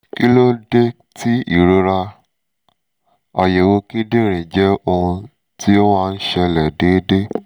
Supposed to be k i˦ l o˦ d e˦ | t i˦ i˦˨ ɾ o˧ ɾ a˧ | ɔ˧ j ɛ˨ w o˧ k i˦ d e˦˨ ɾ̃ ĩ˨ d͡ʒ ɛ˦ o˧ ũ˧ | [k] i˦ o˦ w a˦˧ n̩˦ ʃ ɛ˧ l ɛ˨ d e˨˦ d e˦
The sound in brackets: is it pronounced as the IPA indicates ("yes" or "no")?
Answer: no